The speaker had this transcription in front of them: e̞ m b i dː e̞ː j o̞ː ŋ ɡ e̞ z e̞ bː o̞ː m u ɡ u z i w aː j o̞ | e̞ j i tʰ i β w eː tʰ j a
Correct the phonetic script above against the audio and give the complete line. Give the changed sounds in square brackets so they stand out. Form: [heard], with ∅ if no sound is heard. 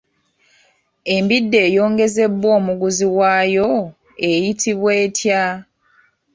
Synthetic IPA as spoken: e̞ m b i dː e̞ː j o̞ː ŋ ɡ e̞ z e̞ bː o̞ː m u ɡ u z i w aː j o̞ | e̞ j i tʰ i β w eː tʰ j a

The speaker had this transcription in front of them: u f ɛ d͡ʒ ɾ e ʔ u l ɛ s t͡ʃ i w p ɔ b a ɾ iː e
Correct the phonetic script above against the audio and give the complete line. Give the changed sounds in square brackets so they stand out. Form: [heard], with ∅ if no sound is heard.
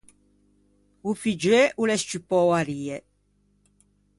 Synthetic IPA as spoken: u f [i] d͡ʒ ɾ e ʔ u l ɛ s t͡ʃ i [∅] p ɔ [w] a ɾ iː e

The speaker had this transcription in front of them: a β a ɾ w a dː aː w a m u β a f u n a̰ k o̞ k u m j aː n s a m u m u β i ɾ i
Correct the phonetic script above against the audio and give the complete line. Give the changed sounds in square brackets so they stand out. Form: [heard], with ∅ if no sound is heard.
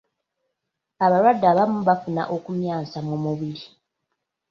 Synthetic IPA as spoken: a β a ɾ w a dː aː [β] a m u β a f u n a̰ [ʔ] o̞ k u m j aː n s a m u m u β i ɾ i

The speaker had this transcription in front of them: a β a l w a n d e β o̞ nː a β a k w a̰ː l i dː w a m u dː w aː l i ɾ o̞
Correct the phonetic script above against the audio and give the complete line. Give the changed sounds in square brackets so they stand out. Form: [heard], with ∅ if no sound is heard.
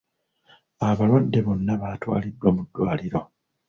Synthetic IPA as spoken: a β a l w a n d e β o̞ nː a β a [t] w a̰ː l i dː w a m u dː w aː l i ɾ o̞

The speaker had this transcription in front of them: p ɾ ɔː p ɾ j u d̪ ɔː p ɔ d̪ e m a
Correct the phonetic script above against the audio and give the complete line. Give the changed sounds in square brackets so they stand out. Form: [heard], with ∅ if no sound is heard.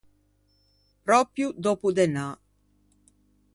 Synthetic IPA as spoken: p ɾ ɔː p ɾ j u d̪ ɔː p [u] d̪ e [n] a

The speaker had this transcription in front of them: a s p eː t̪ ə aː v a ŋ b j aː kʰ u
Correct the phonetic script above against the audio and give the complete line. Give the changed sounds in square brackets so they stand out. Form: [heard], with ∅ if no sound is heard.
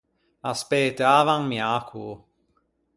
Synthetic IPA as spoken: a s p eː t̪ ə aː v a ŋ [m] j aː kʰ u

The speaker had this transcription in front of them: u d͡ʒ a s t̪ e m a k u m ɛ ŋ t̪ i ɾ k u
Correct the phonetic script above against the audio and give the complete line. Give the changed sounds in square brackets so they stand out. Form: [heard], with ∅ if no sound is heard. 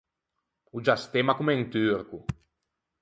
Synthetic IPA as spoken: u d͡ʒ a s t̪ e m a k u m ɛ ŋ t̪ [y] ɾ k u

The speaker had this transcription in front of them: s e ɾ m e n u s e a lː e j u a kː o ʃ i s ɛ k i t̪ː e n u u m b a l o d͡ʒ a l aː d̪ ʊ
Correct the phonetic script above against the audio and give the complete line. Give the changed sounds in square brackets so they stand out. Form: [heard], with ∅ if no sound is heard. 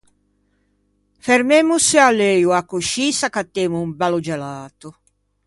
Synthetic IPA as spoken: [f] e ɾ m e [m] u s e a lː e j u a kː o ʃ i s [a] k [a] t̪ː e [m] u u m b a l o d͡ʒ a l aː [t̪] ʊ

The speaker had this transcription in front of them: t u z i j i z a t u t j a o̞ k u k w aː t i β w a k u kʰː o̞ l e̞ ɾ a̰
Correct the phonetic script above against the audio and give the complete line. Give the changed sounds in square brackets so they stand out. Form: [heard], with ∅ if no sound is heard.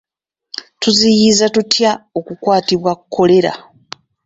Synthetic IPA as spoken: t u z i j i z a t u t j a o̞ k u k w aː t i β w a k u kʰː o̞ l e̞ ɾ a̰

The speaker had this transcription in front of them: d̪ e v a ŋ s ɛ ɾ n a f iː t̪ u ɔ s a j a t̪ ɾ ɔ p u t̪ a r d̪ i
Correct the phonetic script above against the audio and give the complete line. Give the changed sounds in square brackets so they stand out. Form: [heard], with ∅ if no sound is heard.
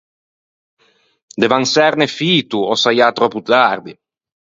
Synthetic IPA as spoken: d̪ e v a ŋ s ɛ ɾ n [e] f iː t̪ u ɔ s a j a t̪ ɾ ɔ p u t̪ a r d̪ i

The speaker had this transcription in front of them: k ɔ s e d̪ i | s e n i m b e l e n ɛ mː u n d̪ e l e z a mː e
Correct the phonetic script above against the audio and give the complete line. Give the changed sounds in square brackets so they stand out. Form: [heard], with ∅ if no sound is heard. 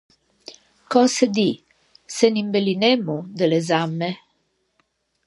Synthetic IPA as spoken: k ɔ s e d̪ i | s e n i m b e l [i] n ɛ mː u [∅] d̪ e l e z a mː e

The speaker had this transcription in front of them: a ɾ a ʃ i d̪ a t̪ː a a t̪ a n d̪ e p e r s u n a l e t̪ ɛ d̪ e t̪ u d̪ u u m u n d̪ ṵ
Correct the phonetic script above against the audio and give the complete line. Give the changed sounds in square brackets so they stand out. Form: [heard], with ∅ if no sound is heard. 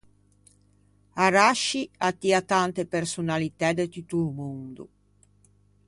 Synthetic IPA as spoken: a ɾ a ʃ i [∅] a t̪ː [i] a t̪ a n [t̪] e p e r s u n a l [i] t̪ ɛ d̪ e t̪ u [t̪] u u m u n d̪ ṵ

